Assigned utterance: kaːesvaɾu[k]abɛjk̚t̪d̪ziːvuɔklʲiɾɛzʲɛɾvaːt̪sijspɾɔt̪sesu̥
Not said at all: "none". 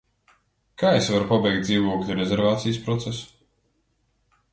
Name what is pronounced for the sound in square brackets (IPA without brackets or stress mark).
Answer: p